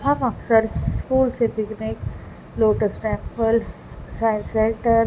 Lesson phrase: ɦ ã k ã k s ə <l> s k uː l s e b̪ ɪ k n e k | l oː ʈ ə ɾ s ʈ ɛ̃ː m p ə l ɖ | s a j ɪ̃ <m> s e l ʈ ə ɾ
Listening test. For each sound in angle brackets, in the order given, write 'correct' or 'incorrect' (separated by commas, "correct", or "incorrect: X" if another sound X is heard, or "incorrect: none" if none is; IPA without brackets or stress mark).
incorrect: ɾ, incorrect: n